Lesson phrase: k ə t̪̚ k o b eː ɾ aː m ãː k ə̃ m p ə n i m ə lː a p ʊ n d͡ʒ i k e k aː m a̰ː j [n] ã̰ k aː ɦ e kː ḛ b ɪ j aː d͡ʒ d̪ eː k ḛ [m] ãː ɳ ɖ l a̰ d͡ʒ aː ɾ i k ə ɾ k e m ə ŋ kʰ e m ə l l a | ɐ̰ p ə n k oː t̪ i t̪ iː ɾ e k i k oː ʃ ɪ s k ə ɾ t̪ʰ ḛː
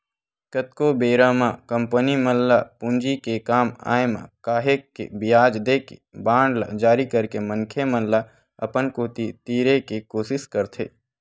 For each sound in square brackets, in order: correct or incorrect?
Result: incorrect, incorrect

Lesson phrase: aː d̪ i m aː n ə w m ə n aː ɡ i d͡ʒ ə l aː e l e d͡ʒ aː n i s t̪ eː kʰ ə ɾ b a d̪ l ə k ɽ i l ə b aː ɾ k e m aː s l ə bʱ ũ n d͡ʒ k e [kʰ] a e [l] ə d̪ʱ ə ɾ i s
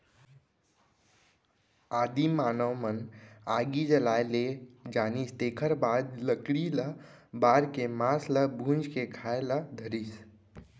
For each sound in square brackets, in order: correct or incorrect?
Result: correct, correct

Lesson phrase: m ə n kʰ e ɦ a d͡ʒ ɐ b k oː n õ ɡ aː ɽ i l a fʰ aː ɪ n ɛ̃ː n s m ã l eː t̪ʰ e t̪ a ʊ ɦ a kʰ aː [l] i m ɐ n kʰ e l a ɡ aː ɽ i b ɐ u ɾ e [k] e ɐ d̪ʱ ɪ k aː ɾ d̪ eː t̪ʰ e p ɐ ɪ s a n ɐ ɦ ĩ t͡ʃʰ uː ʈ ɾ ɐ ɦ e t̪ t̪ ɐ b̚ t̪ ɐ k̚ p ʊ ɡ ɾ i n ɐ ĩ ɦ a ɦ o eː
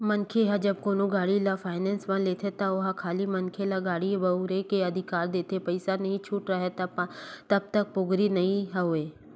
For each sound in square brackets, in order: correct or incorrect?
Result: correct, correct

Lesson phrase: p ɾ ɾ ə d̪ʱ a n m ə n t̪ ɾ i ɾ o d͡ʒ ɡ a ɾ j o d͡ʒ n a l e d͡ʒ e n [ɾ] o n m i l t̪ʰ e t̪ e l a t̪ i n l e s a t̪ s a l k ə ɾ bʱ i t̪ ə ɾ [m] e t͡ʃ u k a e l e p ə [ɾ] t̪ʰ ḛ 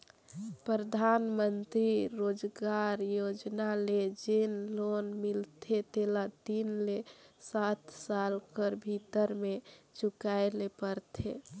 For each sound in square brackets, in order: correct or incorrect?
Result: incorrect, correct, correct

